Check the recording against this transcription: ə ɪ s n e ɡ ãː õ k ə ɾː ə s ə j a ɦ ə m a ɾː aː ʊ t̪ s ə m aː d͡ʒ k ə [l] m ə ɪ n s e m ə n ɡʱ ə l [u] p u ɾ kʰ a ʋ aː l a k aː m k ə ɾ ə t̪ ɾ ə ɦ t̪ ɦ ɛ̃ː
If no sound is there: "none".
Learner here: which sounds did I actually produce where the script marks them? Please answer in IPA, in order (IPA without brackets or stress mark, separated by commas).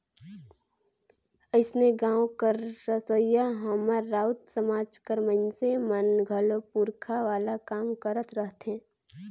ɾ, o